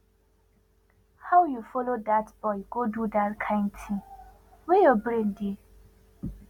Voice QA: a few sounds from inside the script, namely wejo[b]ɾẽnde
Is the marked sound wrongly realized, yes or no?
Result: no